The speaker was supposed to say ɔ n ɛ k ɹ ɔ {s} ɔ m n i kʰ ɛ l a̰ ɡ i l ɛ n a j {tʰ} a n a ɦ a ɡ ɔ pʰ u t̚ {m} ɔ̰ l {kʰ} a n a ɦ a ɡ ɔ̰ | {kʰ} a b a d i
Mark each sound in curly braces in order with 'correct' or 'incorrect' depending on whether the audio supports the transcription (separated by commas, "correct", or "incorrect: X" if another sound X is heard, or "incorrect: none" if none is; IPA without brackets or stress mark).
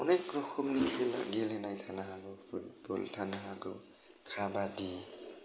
incorrect: x, correct, incorrect: b, incorrect: tʰ, correct